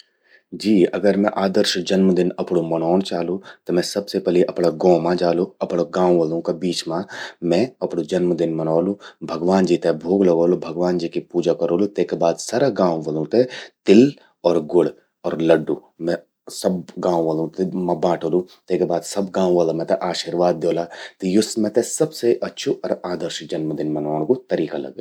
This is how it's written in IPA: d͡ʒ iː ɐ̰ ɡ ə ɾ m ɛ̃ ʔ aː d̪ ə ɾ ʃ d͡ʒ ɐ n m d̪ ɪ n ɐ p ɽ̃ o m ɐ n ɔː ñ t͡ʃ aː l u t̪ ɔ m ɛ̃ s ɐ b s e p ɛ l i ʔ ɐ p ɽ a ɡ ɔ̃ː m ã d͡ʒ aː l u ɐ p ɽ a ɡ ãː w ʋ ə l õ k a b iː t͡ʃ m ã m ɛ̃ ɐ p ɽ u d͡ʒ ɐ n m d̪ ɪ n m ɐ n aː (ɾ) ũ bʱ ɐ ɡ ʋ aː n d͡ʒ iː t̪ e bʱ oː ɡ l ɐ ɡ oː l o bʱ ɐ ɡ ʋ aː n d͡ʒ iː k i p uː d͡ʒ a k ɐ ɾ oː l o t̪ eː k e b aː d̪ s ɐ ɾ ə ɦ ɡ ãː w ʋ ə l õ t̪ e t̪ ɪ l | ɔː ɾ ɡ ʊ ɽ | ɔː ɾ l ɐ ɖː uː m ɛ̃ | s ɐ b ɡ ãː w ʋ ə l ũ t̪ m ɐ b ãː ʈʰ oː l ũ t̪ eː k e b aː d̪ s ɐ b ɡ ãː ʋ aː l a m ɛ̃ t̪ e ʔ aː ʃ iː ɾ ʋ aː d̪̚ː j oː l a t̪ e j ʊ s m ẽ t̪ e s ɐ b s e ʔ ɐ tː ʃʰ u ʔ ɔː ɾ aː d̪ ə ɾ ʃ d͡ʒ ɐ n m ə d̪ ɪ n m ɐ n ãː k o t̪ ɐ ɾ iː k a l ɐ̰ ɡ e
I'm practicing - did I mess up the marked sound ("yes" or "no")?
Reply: yes